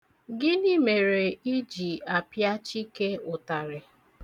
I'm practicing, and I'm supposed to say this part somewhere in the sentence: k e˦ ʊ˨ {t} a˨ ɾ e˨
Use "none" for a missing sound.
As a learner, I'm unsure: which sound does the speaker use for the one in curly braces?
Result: t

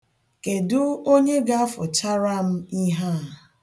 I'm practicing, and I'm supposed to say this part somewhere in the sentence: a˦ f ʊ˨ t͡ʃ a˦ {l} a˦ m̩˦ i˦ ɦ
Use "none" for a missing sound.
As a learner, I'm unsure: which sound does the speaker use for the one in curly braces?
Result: ɾ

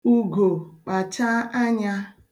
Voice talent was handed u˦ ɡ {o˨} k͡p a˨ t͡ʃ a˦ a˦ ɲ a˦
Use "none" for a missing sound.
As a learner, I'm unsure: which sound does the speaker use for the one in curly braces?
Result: o˨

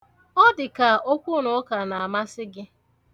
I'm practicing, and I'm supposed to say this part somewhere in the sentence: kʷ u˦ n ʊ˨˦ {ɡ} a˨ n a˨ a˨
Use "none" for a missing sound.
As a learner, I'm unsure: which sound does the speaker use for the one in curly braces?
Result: k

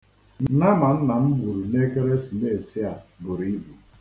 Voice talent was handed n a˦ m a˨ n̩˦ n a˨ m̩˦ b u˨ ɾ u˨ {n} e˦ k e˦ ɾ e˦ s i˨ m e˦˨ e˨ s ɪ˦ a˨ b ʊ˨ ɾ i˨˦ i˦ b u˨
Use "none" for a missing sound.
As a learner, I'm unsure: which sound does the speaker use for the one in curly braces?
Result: n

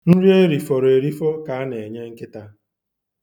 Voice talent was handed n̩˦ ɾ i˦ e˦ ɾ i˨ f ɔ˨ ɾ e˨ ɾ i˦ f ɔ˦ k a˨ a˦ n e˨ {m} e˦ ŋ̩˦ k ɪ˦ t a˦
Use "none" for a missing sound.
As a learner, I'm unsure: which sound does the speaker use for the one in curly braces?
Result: ɲ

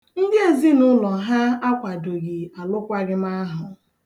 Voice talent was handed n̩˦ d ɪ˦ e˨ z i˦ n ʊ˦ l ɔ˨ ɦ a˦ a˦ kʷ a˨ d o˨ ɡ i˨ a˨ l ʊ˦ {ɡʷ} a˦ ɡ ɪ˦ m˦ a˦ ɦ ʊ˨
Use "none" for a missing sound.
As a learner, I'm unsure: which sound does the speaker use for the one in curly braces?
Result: kʷ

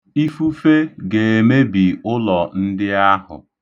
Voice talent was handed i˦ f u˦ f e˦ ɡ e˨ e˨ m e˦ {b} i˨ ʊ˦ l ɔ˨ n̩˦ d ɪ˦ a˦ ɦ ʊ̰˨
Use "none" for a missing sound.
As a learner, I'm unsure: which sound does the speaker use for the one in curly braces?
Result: b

